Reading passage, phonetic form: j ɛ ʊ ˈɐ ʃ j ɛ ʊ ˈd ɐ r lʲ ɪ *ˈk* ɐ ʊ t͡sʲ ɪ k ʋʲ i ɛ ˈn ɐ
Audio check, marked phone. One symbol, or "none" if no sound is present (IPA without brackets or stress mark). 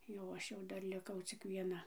k